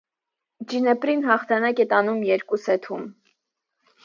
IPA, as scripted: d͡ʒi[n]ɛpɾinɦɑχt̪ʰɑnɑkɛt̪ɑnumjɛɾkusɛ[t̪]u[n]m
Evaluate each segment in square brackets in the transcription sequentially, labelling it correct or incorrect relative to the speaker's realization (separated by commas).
correct, incorrect, incorrect